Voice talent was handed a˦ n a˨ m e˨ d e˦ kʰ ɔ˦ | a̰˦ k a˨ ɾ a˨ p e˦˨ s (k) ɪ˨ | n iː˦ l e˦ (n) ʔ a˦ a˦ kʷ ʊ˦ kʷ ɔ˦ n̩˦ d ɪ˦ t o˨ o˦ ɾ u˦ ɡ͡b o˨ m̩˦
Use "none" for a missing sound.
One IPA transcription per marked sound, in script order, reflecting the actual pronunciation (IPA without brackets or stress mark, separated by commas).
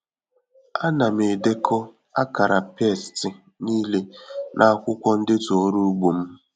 t, n